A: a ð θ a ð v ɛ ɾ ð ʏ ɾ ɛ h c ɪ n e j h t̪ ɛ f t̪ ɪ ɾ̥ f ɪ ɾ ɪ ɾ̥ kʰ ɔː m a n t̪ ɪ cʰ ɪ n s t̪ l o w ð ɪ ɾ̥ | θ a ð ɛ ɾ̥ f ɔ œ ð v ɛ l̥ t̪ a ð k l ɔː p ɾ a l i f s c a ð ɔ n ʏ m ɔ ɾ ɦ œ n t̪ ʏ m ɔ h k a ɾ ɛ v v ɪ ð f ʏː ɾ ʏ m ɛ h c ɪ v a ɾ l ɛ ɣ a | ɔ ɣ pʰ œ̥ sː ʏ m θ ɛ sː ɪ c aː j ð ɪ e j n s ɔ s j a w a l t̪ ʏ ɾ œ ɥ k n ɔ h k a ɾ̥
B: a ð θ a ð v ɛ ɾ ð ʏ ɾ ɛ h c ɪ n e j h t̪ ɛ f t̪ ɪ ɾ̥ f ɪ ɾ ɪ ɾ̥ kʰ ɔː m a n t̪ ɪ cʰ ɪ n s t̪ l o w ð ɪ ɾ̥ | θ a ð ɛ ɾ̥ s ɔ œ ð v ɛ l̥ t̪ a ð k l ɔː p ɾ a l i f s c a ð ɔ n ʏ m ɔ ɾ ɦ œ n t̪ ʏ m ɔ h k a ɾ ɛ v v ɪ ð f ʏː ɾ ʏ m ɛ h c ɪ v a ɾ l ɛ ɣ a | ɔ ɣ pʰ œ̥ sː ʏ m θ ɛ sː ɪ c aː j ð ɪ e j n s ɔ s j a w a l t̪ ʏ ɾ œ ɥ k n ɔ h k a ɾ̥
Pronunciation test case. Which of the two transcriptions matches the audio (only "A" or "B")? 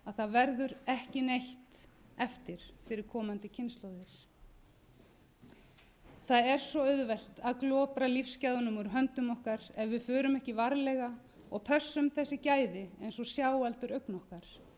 B